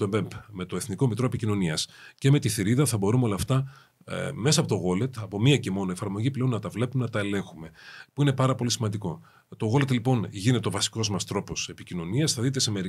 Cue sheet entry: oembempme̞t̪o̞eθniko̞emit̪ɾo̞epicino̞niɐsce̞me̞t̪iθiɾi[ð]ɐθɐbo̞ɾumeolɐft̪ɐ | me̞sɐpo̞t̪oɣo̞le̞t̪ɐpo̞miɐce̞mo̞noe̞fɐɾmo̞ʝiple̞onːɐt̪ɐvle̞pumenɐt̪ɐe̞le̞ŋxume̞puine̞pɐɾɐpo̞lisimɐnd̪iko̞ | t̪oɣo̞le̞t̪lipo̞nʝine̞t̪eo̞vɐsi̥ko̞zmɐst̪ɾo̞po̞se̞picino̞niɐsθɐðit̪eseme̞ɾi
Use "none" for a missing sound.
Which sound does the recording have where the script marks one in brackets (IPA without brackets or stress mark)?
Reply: ð